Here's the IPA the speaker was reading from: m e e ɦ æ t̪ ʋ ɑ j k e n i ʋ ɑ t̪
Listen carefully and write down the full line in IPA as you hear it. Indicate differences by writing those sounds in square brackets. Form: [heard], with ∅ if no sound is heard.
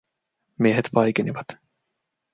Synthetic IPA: m [i] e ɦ [e] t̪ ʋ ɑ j k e n i ʋ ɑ t̪

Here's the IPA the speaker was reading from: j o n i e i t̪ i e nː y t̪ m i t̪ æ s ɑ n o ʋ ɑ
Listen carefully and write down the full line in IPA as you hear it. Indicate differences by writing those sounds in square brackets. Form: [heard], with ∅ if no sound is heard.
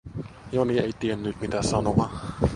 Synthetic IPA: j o n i e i t̪ i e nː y t̪ m i t̪ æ s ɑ n o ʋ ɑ

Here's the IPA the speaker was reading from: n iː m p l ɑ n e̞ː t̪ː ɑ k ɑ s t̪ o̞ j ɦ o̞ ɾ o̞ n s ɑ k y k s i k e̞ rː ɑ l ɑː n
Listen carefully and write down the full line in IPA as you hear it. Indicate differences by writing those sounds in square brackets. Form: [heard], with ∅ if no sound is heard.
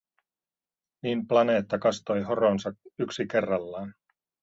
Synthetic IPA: n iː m p l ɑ n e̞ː t̪ː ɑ k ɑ s t̪ o̞ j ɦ o̞ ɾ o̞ n s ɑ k y k s i k e̞ rː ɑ [lː] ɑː n

